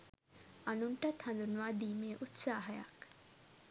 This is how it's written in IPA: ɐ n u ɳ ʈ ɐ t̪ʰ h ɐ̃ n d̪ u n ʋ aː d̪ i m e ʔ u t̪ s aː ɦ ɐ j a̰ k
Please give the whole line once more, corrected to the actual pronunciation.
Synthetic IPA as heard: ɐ n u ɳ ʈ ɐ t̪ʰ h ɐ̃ n d̪ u n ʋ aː d̪ i m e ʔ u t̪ s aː ɦ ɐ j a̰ k